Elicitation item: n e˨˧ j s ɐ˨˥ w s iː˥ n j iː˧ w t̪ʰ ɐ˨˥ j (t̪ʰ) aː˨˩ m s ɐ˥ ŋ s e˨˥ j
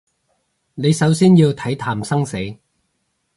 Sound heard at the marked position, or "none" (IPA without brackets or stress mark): t̪ʰ